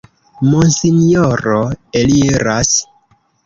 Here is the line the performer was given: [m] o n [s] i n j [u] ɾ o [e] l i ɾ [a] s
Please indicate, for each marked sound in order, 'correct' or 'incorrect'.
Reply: correct, correct, incorrect, correct, correct

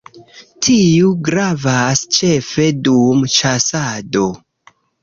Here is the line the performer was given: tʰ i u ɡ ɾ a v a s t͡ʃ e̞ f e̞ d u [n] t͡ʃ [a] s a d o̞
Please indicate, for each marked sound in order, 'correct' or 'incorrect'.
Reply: incorrect, correct

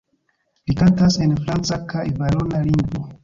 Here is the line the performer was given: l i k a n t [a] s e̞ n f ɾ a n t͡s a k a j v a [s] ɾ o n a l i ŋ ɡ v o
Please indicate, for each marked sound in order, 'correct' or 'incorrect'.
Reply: correct, incorrect

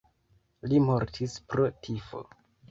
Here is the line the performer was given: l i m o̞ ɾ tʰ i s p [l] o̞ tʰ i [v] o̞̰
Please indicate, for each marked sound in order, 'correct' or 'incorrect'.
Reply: incorrect, incorrect

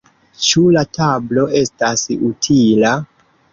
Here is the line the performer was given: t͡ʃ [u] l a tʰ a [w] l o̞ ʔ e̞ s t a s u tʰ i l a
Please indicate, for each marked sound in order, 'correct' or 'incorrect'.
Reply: correct, incorrect

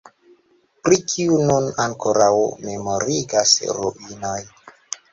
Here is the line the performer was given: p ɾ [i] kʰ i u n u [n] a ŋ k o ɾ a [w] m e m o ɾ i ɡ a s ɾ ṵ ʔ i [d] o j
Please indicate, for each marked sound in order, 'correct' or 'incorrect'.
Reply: correct, correct, correct, incorrect

